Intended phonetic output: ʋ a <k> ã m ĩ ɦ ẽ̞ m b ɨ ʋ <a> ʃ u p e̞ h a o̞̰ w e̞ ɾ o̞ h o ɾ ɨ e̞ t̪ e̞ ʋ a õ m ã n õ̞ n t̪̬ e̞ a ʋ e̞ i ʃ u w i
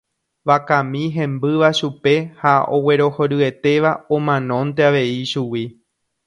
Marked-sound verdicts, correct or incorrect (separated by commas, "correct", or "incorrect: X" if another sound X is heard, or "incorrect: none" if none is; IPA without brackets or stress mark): correct, correct